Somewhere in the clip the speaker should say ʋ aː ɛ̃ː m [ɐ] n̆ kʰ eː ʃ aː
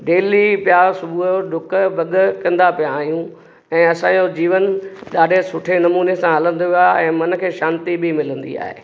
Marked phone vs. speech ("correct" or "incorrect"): correct